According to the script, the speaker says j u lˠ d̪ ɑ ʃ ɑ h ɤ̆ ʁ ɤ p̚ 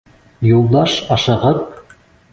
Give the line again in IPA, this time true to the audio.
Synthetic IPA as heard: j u lˠ d̪ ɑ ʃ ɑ ʃ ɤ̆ ʁ ɤ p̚